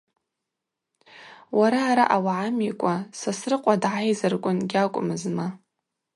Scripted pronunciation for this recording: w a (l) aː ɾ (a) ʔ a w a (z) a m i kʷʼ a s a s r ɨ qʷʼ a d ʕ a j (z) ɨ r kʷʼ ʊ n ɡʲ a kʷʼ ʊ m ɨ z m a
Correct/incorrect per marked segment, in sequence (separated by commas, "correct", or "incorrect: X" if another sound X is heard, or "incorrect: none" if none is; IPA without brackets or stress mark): incorrect: ɾ, correct, incorrect: ʕ, correct